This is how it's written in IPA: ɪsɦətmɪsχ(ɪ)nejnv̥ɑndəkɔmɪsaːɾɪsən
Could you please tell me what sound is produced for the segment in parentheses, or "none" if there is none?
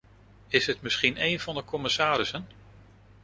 i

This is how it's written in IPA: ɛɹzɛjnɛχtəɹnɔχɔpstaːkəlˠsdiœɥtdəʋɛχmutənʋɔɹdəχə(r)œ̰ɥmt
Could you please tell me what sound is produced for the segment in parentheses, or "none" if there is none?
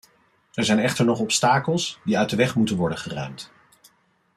r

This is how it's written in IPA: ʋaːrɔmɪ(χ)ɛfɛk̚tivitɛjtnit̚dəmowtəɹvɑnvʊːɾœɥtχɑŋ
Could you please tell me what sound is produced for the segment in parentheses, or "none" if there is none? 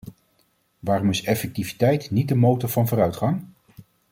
s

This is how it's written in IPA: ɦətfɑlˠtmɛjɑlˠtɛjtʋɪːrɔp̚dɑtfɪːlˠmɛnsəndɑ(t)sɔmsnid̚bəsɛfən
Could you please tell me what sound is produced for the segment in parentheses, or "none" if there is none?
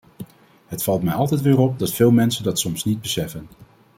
t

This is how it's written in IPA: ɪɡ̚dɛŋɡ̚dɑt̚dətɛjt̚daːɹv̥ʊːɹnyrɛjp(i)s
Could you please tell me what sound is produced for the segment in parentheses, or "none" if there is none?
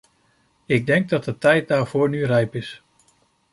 ɪ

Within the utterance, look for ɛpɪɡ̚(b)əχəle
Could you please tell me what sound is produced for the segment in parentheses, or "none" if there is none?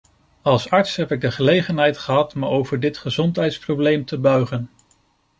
d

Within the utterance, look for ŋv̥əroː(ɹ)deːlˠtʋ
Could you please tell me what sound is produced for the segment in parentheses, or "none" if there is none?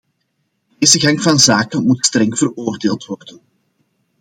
r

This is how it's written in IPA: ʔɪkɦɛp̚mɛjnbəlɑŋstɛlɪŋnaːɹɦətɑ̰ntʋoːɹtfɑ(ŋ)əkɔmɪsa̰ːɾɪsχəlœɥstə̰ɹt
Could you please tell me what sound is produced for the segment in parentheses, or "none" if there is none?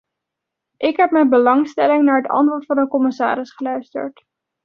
n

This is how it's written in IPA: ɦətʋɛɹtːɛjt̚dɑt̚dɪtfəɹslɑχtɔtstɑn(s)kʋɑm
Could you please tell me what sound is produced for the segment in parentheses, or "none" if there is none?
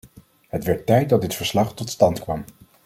t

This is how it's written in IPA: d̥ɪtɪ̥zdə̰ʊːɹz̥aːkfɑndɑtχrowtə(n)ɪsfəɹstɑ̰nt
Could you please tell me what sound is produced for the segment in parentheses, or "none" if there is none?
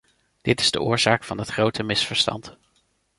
m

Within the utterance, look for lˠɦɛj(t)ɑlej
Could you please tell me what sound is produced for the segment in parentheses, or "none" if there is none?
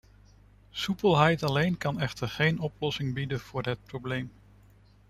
t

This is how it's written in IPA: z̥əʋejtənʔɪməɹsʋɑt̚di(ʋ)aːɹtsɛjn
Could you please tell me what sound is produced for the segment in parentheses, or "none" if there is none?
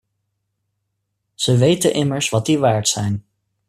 ʋ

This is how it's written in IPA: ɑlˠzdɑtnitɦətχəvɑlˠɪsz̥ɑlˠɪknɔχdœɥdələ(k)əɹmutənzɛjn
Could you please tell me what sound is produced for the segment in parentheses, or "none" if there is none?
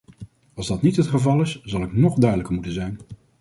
k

